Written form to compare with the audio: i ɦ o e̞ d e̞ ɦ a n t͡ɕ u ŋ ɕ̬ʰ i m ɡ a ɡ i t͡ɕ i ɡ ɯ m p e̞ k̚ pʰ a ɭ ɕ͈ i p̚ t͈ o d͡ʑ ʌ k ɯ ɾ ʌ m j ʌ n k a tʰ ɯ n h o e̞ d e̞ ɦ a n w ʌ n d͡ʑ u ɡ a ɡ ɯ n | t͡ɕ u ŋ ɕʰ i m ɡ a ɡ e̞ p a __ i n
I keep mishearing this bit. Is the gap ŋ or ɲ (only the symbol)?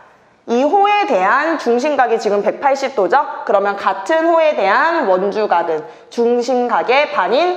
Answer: ɲ